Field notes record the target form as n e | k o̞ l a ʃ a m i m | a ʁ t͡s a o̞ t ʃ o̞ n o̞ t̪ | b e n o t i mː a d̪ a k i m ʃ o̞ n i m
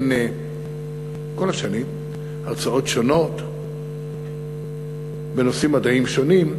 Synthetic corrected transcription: n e | k o̞ l a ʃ a n i m | a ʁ t͡s a o̞ t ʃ o̞ n o̞ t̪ | b e n o s i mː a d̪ a i m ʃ o̞ n i m

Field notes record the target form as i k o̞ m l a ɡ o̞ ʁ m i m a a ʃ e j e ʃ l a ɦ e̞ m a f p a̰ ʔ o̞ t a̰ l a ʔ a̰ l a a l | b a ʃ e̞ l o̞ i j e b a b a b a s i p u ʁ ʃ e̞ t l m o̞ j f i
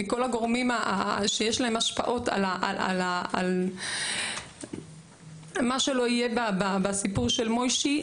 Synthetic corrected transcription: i k o̞ l a ɡ o̞ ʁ m i m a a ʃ e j e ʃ l a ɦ e̞ m a ʃ p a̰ ʔ o̞ t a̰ l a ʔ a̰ l a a l | m a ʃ e̞ l o̞ i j e b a b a b a s i p u ʁ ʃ e̞ l m o̞ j ʃ i

